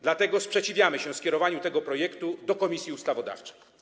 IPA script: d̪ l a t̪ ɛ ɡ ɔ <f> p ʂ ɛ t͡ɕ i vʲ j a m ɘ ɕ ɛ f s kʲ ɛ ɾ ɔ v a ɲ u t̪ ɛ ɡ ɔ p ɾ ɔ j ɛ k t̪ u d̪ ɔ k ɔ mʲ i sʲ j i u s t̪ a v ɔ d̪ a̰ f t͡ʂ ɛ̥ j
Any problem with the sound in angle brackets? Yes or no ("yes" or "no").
yes